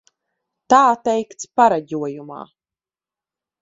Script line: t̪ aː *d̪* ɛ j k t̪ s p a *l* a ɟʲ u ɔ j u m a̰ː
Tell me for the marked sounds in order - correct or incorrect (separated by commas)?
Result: incorrect, incorrect